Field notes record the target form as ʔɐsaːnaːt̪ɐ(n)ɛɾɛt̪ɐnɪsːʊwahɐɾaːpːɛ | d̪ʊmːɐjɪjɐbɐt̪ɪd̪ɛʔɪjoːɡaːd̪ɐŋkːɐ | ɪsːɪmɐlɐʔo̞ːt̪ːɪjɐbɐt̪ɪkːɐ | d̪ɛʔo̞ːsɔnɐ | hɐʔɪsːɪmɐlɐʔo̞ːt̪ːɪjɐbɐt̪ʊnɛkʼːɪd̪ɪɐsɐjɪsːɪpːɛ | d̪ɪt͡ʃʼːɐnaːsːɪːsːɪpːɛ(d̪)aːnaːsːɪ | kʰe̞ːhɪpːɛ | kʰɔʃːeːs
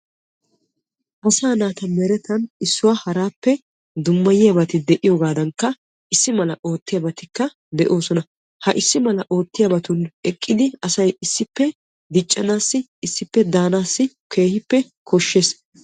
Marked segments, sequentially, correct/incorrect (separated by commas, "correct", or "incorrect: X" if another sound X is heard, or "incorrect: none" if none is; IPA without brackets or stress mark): incorrect: m, correct